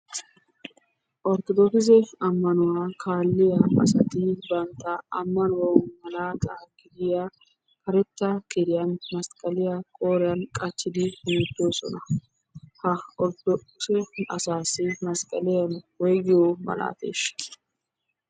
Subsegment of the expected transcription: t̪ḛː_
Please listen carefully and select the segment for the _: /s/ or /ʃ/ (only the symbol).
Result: ʃ